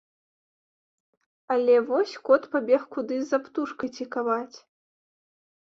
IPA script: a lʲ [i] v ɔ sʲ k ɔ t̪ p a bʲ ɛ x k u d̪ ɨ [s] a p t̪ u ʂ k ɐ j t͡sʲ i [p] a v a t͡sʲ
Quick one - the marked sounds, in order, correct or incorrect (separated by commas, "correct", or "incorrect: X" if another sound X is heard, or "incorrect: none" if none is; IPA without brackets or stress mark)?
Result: incorrect: ɛ, incorrect: z, incorrect: k